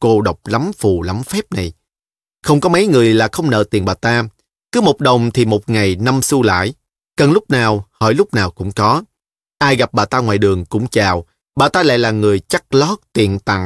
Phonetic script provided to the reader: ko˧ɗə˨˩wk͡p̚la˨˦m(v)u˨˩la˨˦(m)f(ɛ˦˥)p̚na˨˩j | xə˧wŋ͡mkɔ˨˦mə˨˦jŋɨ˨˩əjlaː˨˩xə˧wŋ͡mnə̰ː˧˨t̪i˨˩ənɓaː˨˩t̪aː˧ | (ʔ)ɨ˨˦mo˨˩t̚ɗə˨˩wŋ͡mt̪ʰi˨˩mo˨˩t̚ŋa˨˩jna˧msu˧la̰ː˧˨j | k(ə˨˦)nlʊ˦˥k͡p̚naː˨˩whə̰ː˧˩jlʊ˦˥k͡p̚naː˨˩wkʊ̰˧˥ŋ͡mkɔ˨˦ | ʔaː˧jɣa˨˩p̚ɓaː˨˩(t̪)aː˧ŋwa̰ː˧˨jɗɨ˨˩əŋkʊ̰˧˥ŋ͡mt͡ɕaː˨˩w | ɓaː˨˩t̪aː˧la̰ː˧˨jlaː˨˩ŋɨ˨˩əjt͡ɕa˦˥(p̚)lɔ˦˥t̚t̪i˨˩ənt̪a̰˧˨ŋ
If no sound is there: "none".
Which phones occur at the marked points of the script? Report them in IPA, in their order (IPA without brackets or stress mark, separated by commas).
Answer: f, m, ɛ˦˥, k, ə˨˩, t̪, k̚